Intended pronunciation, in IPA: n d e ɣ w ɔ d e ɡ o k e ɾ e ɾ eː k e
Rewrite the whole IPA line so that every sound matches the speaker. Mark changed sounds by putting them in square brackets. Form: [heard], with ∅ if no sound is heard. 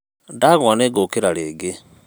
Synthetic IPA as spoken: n d [a] ɣ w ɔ [n] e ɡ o k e ɾ [a] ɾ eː [ɡ] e